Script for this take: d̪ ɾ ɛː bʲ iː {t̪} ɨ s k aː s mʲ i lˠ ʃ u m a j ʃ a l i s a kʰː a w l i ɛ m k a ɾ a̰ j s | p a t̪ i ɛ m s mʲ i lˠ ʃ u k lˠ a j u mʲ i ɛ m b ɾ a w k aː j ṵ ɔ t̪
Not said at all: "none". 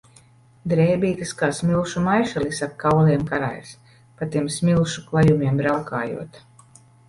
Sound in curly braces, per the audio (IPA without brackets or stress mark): t̪